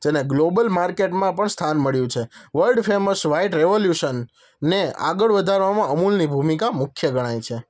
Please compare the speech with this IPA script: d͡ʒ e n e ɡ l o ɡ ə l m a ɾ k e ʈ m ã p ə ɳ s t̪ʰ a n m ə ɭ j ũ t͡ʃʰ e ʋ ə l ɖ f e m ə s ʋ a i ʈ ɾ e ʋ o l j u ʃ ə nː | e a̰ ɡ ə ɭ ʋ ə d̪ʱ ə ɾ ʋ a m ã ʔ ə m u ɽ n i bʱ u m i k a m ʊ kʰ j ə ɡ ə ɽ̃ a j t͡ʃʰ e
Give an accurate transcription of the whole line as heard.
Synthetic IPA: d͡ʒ e n e ɡ l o b ə l m a ɾ k e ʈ m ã p ə ɳ s t̪ʰ a n m ə ɭ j ũ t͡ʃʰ e ʋ ə l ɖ f e m ə s ʋ a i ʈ ɾ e ʋ o l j u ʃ ə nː | e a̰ ɡ ə ɭ ʋ ə d̪ʱ a ɾ ʋ a m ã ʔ ə m u l n i bʱ u m i k a m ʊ kʰ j ə ɡ ə ɽ̃ a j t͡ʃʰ e